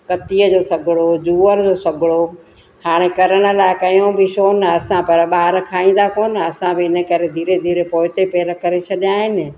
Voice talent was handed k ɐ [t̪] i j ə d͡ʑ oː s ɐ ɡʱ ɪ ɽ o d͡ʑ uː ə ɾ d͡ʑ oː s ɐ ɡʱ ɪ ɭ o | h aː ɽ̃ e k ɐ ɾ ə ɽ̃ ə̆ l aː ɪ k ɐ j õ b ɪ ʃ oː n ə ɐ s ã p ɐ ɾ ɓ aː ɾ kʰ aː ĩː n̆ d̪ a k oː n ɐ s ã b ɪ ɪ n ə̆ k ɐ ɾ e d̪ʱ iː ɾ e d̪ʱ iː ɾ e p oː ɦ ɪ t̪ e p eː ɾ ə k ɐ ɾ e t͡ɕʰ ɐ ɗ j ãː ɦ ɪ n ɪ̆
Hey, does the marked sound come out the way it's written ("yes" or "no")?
yes